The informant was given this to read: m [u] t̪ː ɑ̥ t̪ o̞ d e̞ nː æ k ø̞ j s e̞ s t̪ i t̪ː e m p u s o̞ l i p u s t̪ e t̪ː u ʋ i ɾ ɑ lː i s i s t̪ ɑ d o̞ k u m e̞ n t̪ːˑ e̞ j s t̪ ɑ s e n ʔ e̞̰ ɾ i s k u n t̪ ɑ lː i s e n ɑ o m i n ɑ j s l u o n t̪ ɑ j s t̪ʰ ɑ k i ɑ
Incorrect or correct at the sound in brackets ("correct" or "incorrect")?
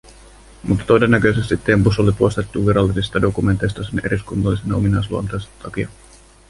correct